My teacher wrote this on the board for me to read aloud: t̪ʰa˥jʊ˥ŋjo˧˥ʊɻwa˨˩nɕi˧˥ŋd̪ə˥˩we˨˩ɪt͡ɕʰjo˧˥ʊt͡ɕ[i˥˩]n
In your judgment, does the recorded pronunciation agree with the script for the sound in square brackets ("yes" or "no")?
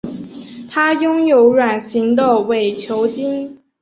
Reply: no